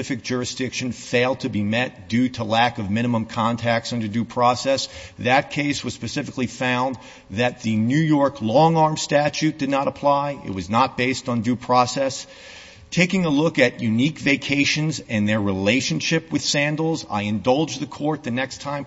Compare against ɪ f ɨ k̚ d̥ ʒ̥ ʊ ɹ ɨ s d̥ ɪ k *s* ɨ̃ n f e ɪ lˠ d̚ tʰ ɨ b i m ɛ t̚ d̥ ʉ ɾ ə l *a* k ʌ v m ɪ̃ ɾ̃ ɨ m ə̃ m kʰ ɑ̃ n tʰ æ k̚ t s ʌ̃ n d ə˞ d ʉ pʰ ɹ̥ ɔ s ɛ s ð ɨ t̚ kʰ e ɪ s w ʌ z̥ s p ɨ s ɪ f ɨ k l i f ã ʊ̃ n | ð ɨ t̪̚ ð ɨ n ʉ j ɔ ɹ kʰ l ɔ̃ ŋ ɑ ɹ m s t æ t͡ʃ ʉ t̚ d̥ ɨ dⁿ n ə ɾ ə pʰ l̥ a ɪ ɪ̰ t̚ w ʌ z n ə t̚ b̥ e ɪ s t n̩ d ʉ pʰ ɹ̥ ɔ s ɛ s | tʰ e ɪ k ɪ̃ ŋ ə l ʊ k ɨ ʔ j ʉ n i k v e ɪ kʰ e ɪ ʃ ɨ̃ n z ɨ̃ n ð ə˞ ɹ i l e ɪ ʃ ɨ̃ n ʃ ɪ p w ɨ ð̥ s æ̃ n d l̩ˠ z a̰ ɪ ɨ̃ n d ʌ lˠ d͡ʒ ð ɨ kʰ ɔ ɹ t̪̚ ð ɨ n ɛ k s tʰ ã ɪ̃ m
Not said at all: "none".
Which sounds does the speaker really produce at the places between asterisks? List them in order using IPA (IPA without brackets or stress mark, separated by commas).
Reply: ʃ, æ